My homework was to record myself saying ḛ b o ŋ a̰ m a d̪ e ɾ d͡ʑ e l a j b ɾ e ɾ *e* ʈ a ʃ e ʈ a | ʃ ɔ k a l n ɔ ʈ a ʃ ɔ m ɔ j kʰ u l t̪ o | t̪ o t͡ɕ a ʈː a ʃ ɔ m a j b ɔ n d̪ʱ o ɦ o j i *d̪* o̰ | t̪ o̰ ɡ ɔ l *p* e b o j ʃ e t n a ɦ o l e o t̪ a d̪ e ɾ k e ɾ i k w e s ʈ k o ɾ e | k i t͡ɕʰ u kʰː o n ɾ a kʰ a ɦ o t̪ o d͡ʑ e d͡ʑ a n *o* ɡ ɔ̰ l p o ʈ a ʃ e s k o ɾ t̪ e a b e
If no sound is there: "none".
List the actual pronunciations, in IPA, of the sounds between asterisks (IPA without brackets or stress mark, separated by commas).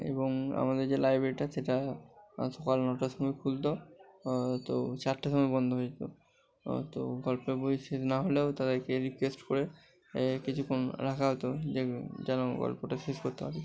i, t̪, p, o